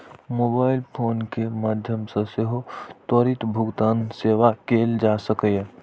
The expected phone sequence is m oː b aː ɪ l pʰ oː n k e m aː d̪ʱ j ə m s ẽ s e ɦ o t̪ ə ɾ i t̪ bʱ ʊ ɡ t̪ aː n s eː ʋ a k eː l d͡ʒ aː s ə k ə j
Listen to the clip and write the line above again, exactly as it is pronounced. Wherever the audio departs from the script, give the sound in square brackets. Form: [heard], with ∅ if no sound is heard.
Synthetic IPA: m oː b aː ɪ l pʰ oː n k e m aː d̪ʱ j ə m s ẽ s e ɦ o t̪ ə ɾ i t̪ bʱ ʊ ɡ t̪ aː n s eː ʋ a k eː l d͡ʒ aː s ə k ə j

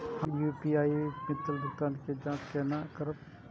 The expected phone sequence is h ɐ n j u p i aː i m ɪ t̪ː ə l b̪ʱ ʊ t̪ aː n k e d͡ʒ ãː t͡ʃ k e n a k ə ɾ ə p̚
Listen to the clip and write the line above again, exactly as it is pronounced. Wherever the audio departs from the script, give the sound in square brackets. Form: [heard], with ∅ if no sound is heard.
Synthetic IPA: h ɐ [m] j u p i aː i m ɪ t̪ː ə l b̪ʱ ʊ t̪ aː n k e d͡ʒ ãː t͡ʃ k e n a k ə ɾ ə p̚

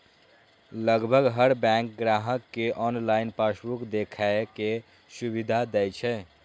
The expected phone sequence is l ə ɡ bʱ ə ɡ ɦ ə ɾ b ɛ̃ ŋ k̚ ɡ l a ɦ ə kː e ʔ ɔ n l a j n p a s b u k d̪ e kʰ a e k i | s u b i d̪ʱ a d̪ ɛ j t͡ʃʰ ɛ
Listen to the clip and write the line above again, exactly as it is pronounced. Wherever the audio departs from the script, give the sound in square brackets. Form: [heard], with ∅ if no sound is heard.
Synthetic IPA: l ə ɡ bʱ ə ɡ ɦ ə ɾ b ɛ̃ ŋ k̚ ɡ [ɾ] a ɦ ə kː e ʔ ɔ n l a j n p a s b u k d̪ e kʰ a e k [e] | s u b i d̪ʱ a d̪ ɛ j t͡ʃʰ ɛ

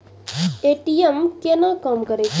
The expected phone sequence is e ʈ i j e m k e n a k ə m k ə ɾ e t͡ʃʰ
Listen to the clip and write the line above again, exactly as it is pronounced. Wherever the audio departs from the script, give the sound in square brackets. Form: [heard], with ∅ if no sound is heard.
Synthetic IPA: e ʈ i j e m k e n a k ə m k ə ɾ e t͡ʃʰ

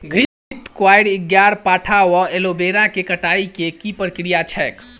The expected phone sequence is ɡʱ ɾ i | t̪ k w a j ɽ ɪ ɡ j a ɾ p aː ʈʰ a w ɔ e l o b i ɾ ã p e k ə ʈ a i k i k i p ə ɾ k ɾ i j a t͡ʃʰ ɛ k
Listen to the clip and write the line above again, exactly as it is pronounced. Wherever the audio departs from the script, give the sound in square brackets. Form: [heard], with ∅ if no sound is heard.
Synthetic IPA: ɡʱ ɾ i | t̪ k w a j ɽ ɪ ɡ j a ɾ p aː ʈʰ a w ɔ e l o b [e] ɾ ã [k] e k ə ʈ a i k [e] k i p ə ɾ k ɾ i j a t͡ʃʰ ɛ k

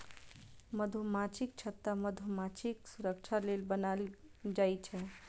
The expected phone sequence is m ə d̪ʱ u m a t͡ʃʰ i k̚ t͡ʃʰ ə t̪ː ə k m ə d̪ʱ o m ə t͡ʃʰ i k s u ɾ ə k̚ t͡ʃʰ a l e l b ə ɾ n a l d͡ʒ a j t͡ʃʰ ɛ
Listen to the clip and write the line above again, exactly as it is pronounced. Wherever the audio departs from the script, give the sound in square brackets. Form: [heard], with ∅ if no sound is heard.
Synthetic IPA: m ə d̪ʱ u m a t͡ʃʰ i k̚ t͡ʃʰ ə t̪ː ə [∅] m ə d̪ʱ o m [a] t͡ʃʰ i k s u ɾ ə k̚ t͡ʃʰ a l e l b ə [∅] n a l d͡ʒ a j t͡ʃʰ ɛ

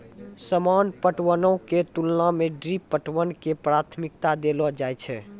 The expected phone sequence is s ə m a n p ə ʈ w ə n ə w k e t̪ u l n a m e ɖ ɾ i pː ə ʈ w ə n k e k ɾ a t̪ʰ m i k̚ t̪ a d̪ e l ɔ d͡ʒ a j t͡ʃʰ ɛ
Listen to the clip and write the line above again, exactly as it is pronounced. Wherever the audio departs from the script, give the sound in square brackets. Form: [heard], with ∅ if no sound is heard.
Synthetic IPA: s ə m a n p ə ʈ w ə n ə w k e t̪ u l n a m e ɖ ɾ i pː ə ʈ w ə n k e [p] ɾ a t̪ʰ m i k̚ t̪ a d̪ e l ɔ d͡ʒ a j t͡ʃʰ ɛ

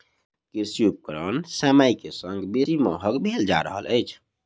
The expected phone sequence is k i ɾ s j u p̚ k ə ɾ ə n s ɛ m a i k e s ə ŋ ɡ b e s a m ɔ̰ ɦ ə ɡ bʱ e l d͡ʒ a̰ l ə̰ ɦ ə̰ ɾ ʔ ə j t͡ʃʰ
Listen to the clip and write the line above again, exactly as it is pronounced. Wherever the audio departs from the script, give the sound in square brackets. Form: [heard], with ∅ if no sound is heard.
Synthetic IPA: k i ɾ s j u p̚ k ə ɾ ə n s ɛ m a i k e s ə ŋ ɡ b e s [i] m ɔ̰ ɦ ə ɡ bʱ e l d͡ʒ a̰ [ɾ] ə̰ ɦ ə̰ [l] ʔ ə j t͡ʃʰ

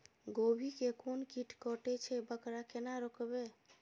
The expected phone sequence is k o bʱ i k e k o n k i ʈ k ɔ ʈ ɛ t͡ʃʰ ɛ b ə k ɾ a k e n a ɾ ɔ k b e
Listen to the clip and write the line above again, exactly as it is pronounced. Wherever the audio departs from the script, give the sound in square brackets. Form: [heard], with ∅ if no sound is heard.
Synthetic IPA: [ɡ] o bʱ i k e k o n k i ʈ k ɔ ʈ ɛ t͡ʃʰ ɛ b ə k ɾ a k e n a ɾ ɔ k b e

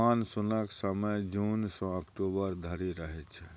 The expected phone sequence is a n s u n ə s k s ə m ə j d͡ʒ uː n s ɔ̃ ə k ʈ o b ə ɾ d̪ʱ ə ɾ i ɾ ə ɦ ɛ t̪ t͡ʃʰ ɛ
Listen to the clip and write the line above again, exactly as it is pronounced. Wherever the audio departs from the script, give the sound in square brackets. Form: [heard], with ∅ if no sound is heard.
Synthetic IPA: a n s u n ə [∅] k s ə m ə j d͡ʒ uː n s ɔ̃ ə k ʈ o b ə ɾ d̪ʱ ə ɾ i ɾ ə ɦ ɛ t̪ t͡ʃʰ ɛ

